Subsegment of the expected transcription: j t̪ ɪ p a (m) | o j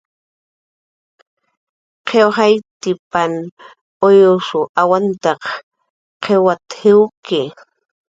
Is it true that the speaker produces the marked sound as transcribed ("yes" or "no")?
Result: no